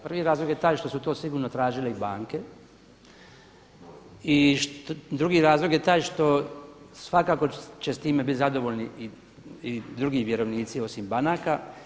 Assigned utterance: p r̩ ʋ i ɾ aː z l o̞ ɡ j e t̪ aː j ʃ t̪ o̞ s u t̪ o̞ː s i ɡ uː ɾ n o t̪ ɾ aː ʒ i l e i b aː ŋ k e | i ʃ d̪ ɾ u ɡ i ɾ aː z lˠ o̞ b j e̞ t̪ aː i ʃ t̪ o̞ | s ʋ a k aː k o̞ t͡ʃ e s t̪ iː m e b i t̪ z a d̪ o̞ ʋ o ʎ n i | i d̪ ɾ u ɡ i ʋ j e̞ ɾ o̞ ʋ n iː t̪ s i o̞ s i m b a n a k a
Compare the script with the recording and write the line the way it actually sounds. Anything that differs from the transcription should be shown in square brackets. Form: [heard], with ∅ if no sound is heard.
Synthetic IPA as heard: p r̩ ʋ i ɾ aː z l o̞ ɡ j e t̪ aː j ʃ t̪ o̞ s u t̪ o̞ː s i ɡ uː ɾ n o t̪ ɾ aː ʒ i l e i b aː ŋ k e | i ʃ d̪ ɾ u ɡ i ɾ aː z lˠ o̞ [ɡ] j e̞ t̪ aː [j] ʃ t̪ o̞ | s ʋ a k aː k o̞ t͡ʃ e s t̪ iː m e b i t̪ z a d̪ o̞ ʋ o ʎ n i | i d̪ ɾ u ɡ i ʋ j e̞ ɾ o̞ ʋ n iː t̪ s i o̞ s i m b a n a k a

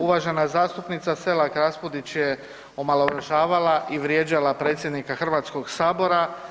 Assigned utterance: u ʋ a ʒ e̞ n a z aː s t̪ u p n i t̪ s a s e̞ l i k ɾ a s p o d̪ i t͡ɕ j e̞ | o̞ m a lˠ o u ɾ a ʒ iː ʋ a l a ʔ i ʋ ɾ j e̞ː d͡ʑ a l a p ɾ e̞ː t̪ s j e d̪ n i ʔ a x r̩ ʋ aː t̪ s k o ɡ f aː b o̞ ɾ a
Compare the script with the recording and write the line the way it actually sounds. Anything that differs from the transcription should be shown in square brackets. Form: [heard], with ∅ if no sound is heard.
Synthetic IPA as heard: u ʋ a ʒ e̞ n a z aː s t̪ u p n i t̪ s a s e̞ l [a] k ɾ a s p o d̪ i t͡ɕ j e̞ | o̞ m a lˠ o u ɾ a ʒ [aː] ʋ a l a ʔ i ʋ ɾ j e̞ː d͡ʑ a l a p ɾ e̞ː t̪ s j e d̪ n i [k] a x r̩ ʋ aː t̪ s k o ɡ [s] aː b o̞ ɾ a

